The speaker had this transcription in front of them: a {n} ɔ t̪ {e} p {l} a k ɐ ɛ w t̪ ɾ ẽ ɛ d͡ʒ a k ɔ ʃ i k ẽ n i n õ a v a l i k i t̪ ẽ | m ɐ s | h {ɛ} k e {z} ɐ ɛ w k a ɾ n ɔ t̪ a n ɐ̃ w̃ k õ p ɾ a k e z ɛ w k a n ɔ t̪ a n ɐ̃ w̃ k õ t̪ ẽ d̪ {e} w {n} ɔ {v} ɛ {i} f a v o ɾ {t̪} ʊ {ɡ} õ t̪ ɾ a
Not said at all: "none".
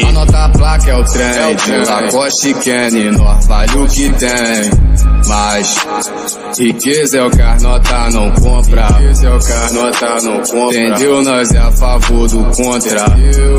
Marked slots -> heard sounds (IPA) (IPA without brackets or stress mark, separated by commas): n, a, l, i, z, e, n, z, a, d̪, k